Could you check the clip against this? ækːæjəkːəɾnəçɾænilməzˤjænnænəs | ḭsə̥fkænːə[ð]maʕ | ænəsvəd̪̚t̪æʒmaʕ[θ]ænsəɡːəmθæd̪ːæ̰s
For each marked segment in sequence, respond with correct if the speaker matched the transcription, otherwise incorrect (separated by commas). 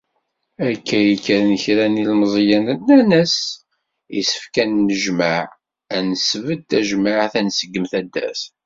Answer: incorrect, correct